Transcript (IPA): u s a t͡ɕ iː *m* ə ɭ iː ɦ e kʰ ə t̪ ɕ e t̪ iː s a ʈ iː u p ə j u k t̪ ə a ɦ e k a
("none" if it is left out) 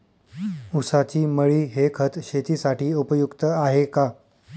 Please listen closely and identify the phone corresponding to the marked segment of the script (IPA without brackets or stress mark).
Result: m